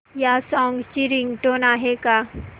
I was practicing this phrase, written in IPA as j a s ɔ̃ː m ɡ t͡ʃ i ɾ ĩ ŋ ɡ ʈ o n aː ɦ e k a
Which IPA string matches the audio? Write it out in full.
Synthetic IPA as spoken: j a s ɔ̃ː ŋ ɡ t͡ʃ i ɾ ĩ ŋ ɡ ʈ o n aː ɦ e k a